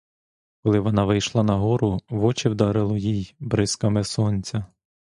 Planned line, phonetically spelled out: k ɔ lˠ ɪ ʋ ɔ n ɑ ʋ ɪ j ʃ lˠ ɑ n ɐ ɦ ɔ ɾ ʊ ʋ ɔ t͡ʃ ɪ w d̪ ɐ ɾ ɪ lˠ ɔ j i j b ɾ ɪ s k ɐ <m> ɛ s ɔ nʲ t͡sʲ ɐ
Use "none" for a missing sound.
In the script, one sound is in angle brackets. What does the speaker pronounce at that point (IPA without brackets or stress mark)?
m